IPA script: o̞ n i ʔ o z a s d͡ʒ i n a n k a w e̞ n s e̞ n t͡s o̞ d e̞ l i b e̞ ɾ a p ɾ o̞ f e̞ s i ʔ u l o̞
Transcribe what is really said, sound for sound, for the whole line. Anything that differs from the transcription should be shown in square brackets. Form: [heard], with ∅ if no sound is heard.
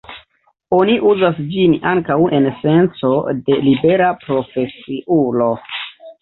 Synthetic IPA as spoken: o̞ n i ʔ [u] z a s d͡ʒ i n a [ŋ] k a w e̞ n s e̞ n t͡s o̞ d e̞ l i b e̞ ɾ a p ɾ o̞ f e̞ s i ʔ u l o̞